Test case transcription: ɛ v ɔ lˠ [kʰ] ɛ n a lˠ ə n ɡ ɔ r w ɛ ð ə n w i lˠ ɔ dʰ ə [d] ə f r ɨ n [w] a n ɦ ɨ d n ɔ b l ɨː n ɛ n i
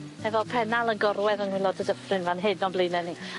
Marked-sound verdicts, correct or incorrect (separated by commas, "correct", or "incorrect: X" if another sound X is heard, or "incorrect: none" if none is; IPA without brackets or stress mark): incorrect: pʰ, correct, incorrect: v